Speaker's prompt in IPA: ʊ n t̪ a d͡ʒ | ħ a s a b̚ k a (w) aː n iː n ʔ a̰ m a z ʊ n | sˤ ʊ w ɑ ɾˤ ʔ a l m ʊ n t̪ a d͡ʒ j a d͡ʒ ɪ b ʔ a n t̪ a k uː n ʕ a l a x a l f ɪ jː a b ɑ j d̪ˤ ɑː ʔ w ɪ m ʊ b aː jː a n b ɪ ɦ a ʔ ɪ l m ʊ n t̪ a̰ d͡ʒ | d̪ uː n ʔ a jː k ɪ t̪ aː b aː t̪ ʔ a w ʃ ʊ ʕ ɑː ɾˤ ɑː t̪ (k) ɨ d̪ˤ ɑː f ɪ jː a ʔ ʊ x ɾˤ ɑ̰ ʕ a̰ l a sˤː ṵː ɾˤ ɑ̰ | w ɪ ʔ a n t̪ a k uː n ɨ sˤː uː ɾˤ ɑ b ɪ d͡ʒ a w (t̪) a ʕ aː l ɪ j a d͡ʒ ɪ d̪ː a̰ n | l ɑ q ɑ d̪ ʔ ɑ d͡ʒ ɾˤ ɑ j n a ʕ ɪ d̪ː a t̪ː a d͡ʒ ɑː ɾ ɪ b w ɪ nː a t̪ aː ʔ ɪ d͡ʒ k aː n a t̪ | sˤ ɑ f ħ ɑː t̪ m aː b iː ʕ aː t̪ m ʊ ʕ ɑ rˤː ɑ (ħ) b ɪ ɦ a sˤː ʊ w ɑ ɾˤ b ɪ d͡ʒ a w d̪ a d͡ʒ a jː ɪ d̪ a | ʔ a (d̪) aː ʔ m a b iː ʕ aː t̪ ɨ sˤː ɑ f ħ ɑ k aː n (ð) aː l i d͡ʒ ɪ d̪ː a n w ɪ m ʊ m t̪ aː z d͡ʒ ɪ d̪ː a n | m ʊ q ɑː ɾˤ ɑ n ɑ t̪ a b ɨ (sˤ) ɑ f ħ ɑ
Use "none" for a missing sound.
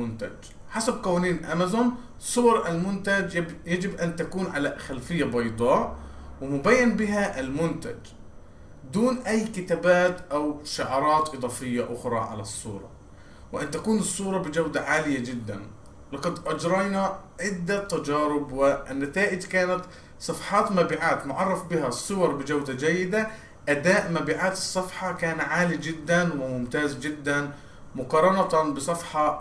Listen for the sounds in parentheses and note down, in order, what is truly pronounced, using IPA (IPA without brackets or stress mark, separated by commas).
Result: w, ʔ, d̪, f, d̪, ʕ, sˤ